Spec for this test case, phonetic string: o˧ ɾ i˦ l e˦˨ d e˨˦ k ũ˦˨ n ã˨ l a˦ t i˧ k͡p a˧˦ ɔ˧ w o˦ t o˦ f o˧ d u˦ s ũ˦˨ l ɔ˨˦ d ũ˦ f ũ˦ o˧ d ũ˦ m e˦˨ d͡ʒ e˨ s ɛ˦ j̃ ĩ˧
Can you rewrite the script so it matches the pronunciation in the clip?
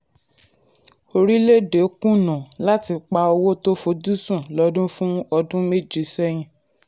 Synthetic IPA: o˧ ɾ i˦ l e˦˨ d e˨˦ k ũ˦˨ n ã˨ l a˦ t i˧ k͡p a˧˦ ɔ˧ w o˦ t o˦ f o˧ d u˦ s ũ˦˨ l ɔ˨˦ d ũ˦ f ũ˦ ɔ˧ d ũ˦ m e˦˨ d͡ʒ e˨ s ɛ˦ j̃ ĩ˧

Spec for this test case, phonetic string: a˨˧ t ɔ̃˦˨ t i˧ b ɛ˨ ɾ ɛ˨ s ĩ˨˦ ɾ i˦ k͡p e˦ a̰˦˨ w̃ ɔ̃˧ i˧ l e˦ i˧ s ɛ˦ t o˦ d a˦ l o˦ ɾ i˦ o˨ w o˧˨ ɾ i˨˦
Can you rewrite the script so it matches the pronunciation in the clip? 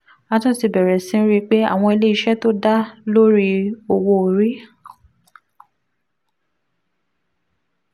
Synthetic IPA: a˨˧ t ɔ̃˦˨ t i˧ b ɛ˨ ɾ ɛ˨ s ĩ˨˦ ɾ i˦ k͡p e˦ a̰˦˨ w̃ ɔ̃˧ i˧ l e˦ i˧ ʃ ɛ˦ t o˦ d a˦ l o˦ ɾ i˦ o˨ w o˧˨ ɾ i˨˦

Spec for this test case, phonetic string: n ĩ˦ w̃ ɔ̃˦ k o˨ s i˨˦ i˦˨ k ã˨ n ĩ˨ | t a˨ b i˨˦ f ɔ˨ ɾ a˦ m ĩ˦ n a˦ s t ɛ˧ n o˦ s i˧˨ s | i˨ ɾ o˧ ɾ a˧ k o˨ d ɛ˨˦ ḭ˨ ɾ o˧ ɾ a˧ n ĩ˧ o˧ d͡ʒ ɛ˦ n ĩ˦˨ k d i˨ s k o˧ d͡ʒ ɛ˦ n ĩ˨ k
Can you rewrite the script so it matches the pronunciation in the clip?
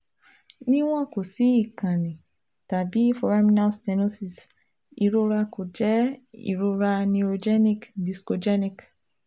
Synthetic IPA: n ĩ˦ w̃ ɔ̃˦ k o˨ s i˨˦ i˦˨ k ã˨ n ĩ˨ | t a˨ b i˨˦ f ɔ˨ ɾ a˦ m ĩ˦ n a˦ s t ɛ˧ n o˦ s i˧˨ s | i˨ ɾ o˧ ɾ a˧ k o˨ d͡ʒ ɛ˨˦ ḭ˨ ɾ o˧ ɾ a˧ n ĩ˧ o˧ d͡ʒ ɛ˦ n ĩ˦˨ k d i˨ s k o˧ d͡ʒ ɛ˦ n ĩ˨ k

